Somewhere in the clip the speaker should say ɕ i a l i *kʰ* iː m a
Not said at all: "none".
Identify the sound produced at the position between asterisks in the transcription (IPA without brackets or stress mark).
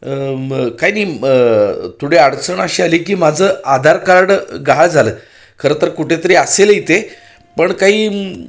k